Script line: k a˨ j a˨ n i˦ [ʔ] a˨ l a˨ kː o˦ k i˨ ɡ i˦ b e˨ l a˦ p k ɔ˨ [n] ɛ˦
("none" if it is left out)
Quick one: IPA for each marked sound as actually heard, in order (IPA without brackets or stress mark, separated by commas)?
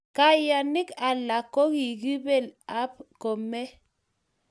k, m